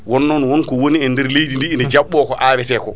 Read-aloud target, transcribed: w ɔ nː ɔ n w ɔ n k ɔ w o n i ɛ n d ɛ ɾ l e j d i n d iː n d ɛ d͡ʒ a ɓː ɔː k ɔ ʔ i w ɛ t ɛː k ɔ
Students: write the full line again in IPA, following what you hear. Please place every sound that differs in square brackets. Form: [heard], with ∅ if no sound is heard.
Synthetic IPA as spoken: w ɔ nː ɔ n w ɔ n k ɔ w o n i ɛ n d ɛ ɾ l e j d i n d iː n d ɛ d͡ʒ a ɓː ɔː k ɔ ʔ [a] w ɛ t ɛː k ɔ

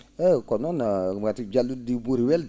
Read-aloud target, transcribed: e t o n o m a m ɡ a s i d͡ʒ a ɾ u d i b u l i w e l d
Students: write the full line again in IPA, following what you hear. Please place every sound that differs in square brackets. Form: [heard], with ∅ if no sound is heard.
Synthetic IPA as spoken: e [k] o n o [n] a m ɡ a [t] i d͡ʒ a [l] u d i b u [ɾ] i w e l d

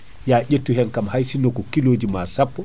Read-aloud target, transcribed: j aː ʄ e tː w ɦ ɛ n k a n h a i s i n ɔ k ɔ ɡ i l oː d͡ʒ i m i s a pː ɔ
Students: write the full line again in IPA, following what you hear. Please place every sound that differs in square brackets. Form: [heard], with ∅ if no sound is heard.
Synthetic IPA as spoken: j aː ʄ e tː [u] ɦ ɛ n k a [m] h a [j] s i n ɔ k ɔ [k] i l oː d͡ʒ i m [a] s a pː ɔ

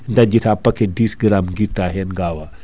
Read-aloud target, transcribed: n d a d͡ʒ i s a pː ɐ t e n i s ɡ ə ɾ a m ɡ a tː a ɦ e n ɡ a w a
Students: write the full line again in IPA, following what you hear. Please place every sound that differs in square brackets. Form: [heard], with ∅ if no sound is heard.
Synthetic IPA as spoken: n d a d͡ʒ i [t] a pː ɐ [k] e [d] i s ɡ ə ɾ a m ɡ [i] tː a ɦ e n ɡ a w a

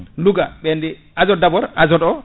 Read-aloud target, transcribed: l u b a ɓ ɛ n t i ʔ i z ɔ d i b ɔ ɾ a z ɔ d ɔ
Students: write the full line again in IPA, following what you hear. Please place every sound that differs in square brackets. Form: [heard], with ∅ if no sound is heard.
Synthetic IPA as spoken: l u [ɡ] a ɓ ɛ n [d] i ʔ [a] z ɔ d [a] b ɔ ɾ a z ɔ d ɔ

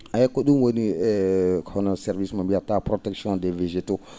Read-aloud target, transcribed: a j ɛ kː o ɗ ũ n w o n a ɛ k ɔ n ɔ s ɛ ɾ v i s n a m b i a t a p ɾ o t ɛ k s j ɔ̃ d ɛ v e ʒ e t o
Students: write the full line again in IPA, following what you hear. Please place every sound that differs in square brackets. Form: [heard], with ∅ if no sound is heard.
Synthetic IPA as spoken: a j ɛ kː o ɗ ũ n w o n [i] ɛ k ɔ n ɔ s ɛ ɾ v i s [m] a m b i a t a p ɾ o t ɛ k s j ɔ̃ d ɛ v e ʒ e t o

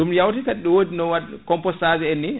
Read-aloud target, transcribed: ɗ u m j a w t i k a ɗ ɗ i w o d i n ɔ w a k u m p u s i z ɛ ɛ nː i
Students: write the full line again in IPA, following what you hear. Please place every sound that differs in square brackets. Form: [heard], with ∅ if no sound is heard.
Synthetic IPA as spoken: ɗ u m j a w t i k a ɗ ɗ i w o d i n ɔ w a k [ɔ] m p [ɔ] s [a] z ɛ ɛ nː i

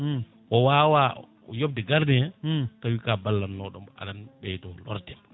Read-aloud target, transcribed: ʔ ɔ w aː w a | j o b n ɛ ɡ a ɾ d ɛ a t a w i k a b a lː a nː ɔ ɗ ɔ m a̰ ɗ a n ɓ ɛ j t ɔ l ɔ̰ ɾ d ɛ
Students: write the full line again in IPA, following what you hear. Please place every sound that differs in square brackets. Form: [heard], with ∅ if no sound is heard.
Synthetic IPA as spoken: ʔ ɔ w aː w a | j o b [d] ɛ ɡ a ɾ d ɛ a t a w i k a b a lː a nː ɔ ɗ ɔ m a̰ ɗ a n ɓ ɛ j t ɔ l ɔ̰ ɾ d ɛ

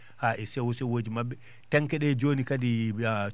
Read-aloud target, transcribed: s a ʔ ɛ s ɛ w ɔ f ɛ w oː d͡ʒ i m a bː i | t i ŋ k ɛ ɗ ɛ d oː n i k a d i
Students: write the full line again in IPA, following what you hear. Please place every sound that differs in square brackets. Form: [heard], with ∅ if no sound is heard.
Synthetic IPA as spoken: [h] a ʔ ɛ s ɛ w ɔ [s] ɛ w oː d͡ʒ i m a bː [ɛ] | t [ɛ] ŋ k ɛ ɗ ɛ [d͡ʒ] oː n i k a d i

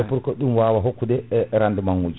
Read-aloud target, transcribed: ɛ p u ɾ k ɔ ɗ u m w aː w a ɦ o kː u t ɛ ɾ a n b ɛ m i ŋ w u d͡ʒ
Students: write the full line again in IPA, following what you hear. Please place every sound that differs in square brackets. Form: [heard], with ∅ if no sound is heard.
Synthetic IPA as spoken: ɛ p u ɾ k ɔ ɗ u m w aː w a ɦ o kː u [d] ɛ ɾ a n [d] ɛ m [a] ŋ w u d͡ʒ

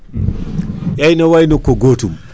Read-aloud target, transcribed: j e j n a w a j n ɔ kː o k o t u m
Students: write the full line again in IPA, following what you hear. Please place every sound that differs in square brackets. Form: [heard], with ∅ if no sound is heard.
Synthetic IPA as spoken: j [a] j n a w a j n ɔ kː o [ɡ] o t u m

